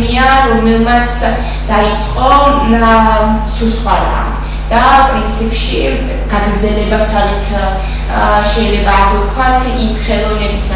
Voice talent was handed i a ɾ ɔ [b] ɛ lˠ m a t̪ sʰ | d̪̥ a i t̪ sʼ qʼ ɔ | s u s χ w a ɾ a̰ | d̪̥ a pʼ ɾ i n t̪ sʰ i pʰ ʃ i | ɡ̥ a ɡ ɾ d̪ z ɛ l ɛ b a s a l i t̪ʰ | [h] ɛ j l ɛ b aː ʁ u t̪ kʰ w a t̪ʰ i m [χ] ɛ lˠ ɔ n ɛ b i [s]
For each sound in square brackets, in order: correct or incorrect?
incorrect: m, incorrect: ʃ, correct, correct

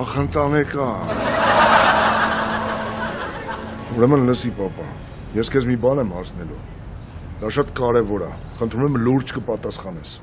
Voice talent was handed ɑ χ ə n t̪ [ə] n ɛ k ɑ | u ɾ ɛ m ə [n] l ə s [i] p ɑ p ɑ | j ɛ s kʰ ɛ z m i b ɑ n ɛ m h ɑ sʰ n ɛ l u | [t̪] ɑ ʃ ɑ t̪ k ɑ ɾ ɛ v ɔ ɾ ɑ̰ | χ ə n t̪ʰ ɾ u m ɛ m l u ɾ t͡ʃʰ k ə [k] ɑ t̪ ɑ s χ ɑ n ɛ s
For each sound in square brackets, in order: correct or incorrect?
incorrect: ɑ, correct, correct, incorrect: d̪, incorrect: p

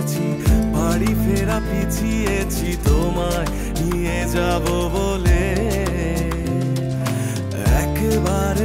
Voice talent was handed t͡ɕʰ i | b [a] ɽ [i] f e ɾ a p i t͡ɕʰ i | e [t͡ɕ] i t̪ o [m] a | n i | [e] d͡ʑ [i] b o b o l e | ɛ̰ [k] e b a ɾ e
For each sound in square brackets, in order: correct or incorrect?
correct, correct, incorrect: t͡ɕʰ, correct, correct, incorrect: a, correct

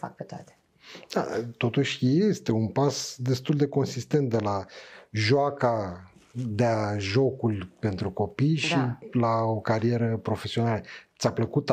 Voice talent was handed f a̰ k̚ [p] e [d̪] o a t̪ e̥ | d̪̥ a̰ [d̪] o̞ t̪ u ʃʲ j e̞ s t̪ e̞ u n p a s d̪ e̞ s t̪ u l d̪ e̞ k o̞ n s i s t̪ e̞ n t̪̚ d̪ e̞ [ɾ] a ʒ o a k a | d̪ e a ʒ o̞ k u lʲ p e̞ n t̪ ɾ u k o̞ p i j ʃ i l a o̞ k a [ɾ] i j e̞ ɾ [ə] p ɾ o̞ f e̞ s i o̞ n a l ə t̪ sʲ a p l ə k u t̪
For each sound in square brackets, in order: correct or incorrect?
correct, incorrect: t̪, incorrect: t̪, incorrect: l, correct, correct

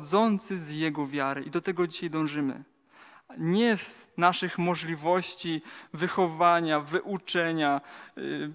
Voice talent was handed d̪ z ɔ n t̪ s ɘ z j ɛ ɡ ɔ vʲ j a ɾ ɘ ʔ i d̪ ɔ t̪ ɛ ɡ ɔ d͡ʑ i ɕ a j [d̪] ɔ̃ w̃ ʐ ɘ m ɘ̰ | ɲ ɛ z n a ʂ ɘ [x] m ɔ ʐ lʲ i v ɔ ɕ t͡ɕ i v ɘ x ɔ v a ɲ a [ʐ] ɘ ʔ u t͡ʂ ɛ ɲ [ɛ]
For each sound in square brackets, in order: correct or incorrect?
correct, correct, incorrect: v, incorrect: a

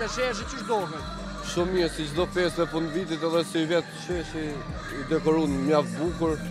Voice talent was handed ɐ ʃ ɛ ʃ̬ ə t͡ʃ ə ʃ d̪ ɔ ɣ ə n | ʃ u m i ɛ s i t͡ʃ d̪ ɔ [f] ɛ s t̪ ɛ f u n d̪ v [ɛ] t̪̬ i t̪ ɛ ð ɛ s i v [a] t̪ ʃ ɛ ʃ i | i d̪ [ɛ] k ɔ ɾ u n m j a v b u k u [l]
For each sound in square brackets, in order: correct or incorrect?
correct, incorrect: i, incorrect: ɛ, correct, incorrect: ɾ

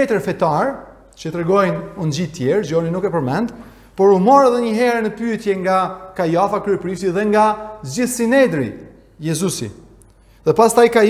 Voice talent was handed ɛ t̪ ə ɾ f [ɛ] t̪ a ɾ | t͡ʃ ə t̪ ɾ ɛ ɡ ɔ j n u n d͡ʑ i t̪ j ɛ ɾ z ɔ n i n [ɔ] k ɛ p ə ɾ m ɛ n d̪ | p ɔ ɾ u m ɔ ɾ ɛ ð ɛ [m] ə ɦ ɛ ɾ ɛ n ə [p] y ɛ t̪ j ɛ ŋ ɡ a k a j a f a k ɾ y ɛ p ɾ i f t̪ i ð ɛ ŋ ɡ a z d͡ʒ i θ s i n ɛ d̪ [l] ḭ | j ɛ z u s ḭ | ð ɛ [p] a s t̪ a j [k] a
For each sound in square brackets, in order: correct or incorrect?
correct, incorrect: u, incorrect: ɲ, correct, incorrect: ɾ, correct, correct

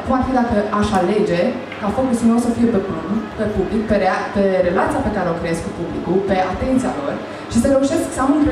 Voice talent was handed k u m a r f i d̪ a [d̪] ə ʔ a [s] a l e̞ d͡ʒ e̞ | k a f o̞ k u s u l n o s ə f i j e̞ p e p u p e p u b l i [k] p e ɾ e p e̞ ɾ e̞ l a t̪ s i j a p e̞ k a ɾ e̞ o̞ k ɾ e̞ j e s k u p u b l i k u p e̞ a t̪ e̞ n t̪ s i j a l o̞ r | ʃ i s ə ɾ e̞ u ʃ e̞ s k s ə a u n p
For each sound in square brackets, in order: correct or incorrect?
incorrect: t̪, incorrect: ʃ, correct

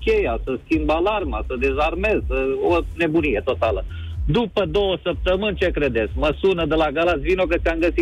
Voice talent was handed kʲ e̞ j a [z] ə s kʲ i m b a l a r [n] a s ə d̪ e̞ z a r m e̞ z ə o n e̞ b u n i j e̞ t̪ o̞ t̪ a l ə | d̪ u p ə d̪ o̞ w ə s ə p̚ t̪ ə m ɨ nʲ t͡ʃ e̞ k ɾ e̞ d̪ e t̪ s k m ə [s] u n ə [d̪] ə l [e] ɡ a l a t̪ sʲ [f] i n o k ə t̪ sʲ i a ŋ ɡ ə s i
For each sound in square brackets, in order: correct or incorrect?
incorrect: s, incorrect: m, correct, correct, incorrect: a, incorrect: v

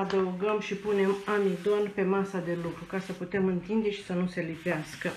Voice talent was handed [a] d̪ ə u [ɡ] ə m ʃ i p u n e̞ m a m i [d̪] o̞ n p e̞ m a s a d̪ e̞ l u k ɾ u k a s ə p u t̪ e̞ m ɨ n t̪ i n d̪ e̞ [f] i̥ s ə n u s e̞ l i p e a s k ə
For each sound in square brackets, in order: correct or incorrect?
correct, correct, correct, incorrect: ʃ

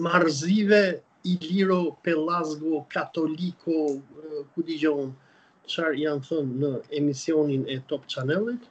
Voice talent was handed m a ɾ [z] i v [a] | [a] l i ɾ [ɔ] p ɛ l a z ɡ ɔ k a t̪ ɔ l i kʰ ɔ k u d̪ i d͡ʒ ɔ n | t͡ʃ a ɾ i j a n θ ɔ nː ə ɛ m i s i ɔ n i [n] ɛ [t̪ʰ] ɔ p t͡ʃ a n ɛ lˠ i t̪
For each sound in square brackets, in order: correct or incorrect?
correct, incorrect: ɛ, incorrect: i, correct, correct, incorrect: t̪

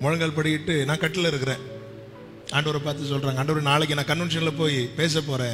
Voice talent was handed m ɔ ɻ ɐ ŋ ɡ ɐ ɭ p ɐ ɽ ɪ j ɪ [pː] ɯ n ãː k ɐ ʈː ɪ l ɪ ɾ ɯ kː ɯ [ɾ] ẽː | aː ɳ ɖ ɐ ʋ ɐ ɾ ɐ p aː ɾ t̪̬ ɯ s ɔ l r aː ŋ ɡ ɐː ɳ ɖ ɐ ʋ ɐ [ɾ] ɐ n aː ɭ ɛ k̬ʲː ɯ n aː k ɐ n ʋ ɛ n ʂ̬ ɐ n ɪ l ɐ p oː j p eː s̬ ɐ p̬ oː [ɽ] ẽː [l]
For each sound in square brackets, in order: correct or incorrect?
incorrect: ʈː, correct, correct, incorrect: ɾ, incorrect: none

